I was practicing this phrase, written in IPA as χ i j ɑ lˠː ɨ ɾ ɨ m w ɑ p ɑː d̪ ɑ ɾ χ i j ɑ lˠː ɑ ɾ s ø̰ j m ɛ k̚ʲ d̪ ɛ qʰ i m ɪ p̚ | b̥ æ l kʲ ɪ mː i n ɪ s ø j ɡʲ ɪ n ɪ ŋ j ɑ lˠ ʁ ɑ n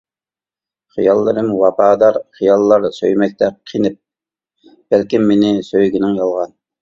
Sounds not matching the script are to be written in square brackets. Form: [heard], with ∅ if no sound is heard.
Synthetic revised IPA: χ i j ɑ lˠː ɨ ɾ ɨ m w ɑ p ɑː d̪ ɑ ɾ χ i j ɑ lˠː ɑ ɾ s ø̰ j m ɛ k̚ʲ [t̪] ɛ qʰ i [n] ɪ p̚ | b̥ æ l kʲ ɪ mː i n ɪ s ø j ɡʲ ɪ n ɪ ŋ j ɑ lˠ ʁ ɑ n